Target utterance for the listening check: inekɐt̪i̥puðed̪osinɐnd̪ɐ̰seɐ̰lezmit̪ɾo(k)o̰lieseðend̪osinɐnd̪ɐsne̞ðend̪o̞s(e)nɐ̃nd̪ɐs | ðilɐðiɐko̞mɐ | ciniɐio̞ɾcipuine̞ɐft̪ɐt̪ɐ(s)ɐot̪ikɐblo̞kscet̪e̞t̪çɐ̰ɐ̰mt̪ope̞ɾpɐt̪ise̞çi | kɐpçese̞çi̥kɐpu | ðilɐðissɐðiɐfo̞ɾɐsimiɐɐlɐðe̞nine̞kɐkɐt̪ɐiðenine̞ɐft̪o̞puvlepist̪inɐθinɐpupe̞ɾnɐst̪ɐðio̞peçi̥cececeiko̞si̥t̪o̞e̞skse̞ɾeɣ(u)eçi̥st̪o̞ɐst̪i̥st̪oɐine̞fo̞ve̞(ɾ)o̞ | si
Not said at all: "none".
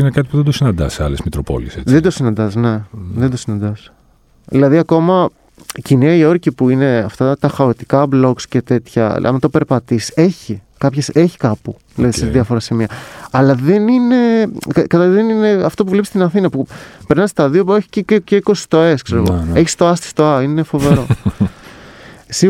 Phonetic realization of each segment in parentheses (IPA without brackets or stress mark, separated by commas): p, i, x, o, ɾ